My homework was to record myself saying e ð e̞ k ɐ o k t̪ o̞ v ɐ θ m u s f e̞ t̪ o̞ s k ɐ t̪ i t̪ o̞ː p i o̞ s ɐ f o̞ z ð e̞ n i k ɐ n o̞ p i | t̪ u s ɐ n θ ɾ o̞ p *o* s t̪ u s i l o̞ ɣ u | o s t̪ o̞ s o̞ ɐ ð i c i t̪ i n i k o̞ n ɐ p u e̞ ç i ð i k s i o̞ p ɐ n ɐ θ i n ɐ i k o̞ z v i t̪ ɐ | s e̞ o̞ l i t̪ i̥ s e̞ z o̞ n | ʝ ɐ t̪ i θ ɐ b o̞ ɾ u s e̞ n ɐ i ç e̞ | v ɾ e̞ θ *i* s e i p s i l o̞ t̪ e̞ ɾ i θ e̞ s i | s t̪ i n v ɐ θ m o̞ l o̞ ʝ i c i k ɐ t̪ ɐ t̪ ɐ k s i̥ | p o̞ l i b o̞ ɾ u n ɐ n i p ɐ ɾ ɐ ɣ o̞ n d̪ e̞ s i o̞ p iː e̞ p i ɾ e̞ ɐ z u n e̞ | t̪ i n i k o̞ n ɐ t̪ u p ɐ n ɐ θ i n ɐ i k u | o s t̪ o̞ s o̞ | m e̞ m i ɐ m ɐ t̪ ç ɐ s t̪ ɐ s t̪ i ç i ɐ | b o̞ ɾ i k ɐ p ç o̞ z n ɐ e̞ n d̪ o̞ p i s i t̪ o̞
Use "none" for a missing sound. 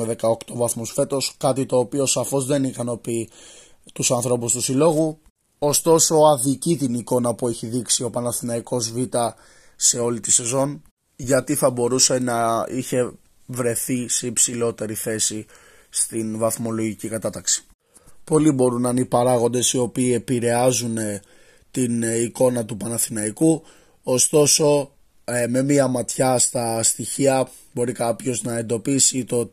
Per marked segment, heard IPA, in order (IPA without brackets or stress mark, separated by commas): u, i